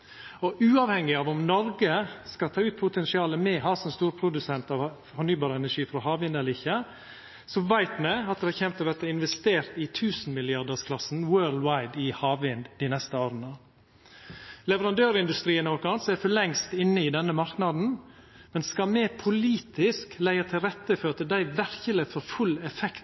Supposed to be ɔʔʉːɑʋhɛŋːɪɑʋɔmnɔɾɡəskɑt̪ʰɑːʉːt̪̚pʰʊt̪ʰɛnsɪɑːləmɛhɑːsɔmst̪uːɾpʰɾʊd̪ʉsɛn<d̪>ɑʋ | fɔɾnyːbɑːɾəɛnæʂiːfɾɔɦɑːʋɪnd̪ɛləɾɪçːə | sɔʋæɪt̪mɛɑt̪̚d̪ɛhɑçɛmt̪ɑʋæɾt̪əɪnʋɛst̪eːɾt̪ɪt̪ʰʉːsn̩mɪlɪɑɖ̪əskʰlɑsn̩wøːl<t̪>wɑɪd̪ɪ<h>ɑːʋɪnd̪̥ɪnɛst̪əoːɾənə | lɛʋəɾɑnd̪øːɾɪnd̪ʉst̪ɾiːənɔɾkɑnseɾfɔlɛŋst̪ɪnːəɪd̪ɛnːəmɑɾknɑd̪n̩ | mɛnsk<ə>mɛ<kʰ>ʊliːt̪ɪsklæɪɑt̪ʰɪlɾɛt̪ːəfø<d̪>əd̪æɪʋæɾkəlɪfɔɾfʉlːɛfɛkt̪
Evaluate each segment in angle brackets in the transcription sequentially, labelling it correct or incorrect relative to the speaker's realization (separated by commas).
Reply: incorrect, incorrect, correct, incorrect, incorrect, incorrect